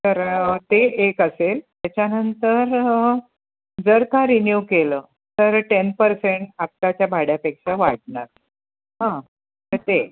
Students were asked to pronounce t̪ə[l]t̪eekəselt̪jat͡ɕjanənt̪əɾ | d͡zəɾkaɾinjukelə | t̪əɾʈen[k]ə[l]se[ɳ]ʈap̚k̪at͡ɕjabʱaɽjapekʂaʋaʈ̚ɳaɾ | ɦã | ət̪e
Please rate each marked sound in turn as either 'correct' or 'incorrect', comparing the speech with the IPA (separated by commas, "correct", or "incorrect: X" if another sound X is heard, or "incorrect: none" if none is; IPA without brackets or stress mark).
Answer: incorrect: ɾ, incorrect: p, incorrect: ɾ, correct